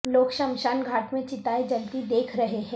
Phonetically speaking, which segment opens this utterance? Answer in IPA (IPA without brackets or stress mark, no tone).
l